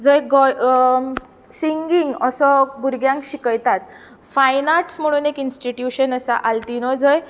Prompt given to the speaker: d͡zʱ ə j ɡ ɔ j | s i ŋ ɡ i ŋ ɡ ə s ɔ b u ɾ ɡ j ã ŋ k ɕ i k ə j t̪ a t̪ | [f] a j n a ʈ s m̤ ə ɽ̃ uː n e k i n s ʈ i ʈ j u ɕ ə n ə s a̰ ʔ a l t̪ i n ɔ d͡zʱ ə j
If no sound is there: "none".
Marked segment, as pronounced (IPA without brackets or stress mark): f